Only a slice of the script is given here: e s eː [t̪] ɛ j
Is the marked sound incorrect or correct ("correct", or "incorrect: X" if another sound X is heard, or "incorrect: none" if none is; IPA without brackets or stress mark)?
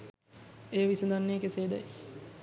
incorrect: d̪